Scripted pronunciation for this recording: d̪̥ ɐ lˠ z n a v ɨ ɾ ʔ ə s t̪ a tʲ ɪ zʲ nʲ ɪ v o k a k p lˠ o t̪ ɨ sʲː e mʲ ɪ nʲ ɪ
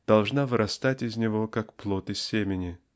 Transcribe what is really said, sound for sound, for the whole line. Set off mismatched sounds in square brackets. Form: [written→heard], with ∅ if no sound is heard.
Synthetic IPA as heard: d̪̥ ɐ lˠ [z→ʐ] n a v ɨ ɾ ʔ [ə→ɐ] s t̪ a tʲ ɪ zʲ nʲ ɪ v o k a k p lˠ o t̪ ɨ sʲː e mʲ ɪ nʲ ɪ